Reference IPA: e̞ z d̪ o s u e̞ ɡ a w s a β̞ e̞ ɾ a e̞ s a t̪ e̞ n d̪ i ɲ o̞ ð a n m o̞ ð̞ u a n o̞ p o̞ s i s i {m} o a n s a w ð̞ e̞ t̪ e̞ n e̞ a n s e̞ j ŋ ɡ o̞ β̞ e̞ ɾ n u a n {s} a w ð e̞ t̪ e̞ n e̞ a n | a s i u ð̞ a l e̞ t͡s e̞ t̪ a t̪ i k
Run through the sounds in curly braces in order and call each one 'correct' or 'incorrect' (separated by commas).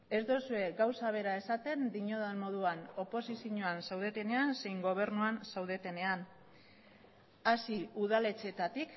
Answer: incorrect, correct